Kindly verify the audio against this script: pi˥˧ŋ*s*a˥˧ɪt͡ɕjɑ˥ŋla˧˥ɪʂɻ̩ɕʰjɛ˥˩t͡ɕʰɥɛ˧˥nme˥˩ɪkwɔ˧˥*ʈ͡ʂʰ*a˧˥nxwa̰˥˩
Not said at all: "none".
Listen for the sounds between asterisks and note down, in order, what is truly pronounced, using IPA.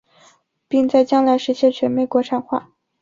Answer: t͡s, ʈ͡ʂʰ

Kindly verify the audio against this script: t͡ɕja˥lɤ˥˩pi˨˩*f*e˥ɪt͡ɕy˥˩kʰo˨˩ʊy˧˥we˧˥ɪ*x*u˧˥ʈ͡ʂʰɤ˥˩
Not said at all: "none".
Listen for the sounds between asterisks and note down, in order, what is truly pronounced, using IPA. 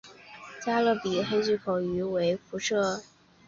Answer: x, f

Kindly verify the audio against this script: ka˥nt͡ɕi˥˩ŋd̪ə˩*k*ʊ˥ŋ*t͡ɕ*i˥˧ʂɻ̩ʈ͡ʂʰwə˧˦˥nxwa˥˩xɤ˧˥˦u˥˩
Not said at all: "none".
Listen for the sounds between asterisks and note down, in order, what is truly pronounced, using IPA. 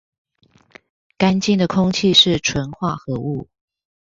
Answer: kʰ, t͡ɕʰ

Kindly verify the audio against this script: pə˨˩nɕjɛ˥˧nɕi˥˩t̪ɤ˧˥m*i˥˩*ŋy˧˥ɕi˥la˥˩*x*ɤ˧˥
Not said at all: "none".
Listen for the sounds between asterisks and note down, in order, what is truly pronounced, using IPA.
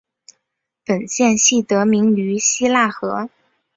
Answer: i˧˥, x

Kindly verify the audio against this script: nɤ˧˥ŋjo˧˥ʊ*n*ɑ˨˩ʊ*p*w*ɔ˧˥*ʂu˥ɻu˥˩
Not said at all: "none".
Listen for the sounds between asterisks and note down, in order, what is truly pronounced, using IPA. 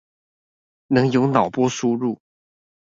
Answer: n, p, ɔ˥

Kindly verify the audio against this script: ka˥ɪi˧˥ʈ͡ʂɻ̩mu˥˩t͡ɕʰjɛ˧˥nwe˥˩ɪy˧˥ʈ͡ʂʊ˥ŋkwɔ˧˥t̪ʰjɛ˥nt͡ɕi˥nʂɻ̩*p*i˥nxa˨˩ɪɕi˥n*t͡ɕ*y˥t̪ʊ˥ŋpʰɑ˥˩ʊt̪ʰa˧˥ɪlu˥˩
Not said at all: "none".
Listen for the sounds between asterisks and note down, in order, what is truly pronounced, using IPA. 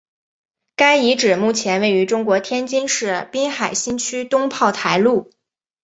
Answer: p, t͡ɕʰ

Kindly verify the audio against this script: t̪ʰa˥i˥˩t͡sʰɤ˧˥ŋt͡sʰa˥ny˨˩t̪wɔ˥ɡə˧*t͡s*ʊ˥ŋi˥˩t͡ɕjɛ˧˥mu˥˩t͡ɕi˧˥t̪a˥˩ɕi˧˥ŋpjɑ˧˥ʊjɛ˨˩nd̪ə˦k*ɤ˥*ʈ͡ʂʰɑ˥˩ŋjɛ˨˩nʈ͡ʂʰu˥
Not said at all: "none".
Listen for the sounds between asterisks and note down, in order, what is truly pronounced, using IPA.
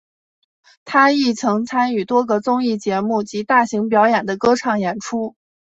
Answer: t͡s, ɤ˥

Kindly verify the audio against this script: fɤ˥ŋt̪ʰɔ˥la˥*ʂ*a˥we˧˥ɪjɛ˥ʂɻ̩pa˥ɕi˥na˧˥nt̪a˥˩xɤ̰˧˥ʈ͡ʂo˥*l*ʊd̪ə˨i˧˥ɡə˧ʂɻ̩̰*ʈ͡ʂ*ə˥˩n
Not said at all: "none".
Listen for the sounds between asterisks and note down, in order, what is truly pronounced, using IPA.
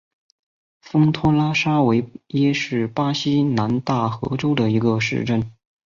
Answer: ʂ, none, ʈ͡ʂ

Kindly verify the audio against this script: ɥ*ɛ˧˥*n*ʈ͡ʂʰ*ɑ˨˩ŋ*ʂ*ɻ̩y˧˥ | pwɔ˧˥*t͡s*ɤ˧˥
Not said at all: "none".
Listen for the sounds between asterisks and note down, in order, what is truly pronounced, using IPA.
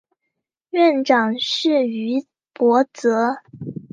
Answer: ɛ˥˩, ʈ͡ʂ, ʂ, t͡s

